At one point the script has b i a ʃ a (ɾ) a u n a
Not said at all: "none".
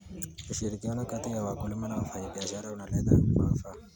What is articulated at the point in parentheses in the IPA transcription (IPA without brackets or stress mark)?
ɾ